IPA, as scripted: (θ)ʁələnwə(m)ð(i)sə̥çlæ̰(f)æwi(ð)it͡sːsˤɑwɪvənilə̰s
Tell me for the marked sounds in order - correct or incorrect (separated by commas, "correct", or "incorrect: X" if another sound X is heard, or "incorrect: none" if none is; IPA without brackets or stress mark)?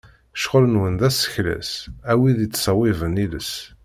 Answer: incorrect: ʃ, incorrect: n, incorrect: æ, incorrect: s, correct